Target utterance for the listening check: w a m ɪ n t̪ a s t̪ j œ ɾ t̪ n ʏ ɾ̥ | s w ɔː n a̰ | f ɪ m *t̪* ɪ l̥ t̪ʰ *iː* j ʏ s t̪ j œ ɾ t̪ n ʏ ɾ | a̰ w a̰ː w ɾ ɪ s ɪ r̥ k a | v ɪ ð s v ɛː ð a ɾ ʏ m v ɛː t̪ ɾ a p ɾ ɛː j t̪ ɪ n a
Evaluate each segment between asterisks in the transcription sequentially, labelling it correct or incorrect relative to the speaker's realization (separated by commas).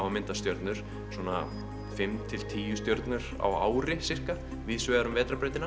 incorrect, correct